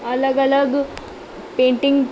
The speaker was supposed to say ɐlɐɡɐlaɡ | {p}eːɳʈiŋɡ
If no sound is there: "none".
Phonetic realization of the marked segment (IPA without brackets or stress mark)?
p